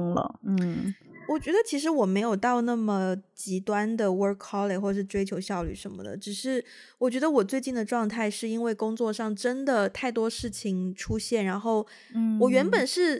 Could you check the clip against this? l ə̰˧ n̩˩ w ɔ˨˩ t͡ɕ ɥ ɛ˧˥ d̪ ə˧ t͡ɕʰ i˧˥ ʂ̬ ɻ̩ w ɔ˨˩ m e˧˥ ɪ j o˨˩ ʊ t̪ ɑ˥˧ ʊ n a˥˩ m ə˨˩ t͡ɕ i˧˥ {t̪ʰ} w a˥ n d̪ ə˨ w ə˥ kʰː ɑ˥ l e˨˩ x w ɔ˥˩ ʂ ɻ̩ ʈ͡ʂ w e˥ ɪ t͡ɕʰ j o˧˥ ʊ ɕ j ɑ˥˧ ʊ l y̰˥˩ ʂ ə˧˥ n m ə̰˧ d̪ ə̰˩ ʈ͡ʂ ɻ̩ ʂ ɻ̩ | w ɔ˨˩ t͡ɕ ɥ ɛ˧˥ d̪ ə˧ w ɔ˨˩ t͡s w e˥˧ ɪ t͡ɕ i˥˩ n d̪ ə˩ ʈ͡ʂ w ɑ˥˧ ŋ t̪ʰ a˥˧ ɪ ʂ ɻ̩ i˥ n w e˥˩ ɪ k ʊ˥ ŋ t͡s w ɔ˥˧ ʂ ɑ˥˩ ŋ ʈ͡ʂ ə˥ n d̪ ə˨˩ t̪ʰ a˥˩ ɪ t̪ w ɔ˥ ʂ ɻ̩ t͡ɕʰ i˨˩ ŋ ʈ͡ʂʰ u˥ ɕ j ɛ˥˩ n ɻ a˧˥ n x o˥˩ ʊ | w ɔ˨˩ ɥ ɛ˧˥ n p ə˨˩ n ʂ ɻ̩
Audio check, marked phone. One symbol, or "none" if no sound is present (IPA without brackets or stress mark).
t̪